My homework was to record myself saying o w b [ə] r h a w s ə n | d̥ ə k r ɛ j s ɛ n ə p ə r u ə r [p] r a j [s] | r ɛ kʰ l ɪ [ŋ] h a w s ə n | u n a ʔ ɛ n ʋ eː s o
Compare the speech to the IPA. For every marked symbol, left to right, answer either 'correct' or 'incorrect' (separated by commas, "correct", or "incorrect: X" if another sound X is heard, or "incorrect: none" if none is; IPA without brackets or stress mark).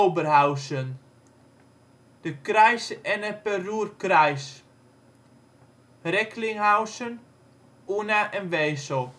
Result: correct, incorrect: k, correct, correct